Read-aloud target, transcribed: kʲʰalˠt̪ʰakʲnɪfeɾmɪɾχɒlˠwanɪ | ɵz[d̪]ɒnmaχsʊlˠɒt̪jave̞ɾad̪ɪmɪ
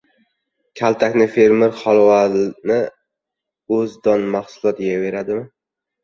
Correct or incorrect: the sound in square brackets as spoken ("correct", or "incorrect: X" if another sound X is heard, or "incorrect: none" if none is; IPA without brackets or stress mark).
correct